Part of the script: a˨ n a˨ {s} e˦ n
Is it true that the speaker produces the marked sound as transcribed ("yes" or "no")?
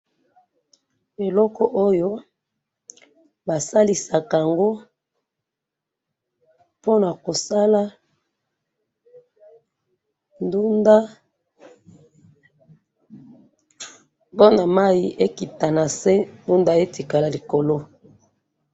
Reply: yes